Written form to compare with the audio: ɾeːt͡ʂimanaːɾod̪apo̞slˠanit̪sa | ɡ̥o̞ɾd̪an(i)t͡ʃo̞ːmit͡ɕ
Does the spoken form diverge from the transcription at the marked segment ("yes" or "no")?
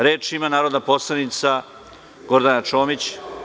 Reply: yes